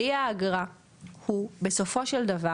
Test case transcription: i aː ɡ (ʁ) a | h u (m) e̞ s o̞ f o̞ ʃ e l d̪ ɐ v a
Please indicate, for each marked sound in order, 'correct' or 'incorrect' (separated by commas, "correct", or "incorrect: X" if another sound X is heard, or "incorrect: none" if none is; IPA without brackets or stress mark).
correct, incorrect: b